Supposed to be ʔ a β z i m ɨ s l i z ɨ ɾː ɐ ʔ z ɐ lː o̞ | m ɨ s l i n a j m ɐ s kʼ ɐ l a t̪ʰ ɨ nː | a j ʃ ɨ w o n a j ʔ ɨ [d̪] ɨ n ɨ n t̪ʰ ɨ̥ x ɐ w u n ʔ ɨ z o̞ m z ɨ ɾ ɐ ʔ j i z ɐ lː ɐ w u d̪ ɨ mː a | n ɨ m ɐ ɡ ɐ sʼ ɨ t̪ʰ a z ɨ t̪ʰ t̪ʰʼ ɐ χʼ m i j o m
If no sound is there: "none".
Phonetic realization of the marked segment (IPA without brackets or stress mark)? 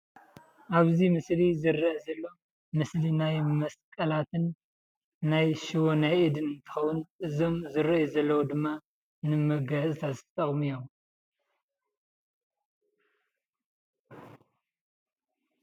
d̪